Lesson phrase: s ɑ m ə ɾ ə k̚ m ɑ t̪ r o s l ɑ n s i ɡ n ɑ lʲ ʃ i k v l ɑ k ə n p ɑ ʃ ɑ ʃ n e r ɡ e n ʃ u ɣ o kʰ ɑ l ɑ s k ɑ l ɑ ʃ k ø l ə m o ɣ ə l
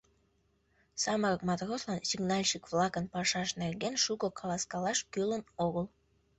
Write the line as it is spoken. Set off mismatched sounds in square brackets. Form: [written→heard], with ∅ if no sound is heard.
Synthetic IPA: s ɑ m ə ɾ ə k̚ m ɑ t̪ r o s l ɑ n s i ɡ n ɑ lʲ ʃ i k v l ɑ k ə n p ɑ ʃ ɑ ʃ n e r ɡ e n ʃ u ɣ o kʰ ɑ l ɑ s k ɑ l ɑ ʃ k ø l ə [m→n] o ɣ ə l